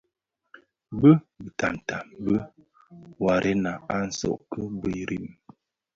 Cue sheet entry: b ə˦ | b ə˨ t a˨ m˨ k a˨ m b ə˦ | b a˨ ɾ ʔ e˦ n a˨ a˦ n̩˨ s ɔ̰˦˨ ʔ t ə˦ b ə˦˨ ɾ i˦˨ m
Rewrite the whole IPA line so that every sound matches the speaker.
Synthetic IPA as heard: b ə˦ | b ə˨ t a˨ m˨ t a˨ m b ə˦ | w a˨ ɾ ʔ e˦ n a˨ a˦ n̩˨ s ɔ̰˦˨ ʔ k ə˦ b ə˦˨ ɾ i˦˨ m